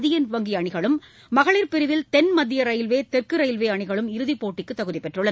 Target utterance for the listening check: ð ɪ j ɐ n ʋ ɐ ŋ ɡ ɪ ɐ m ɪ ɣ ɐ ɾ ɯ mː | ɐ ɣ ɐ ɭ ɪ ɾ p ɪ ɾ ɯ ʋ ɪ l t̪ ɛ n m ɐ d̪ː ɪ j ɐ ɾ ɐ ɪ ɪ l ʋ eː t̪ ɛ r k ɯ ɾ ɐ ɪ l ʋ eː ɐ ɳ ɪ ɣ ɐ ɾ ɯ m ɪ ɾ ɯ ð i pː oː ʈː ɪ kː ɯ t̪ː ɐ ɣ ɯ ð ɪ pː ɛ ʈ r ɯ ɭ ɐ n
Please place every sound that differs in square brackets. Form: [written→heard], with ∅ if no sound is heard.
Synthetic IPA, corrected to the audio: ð ɪ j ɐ n ʋ ɐ ŋ ɡ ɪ ɐ [m→ɳ] ɪ ɣ ɐ [ɾ→ɭ] ɯ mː | ɐ ɣ ɐ ɭ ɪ ɾ p ɪ ɾ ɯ ʋ ɪ l t̪ ɛ n m ɐ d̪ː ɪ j ɐ ɾ ɐ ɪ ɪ l ʋ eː t̪ ɛ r k ɯ ɾ ɐ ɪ l ʋ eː ɐ ɳ ɪ ɣ ɐ [ɾ→ɭ] ɯ m ɪ ɾ ɯ ð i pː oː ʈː ɪ kː ɯ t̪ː ɐ ɣ ɯ ð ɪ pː ɛ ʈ r ɯ ɭ ɐ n